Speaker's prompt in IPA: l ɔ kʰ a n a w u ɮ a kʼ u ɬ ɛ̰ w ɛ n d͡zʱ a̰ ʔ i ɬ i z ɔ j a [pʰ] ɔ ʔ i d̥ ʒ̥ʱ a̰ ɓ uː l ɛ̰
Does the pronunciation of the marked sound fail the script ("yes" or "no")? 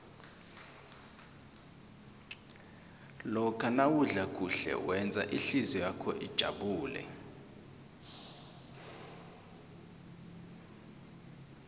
yes